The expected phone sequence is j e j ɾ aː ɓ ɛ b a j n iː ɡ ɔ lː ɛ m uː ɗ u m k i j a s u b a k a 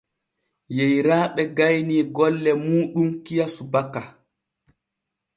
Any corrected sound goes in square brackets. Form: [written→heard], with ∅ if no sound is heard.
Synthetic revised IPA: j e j ɾ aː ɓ ɛ [b→ɡ] a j n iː ɡ ɔ lː ɛ m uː ɗ u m k i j a s u b a k a